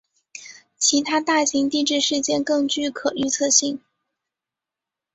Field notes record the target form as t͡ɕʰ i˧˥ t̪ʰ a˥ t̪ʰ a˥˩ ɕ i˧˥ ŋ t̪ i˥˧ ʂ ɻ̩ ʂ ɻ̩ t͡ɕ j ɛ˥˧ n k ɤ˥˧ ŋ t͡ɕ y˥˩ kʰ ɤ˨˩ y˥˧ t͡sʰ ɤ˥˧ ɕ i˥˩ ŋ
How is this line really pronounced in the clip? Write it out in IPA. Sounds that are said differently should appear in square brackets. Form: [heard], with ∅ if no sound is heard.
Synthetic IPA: t͡ɕʰ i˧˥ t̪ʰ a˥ [t̪] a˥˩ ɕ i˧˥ ŋ t̪ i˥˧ [ʈ͡ʂ] ɻ̩ ʂ ɻ̩ t͡ɕ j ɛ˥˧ n k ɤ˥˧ ŋ t͡ɕ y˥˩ kʰ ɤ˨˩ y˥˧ t͡sʰ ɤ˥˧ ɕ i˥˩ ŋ